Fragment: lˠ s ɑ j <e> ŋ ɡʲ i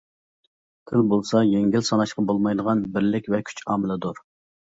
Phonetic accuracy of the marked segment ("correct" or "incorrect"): correct